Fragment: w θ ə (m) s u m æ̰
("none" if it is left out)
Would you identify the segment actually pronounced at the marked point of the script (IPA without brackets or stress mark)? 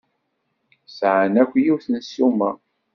n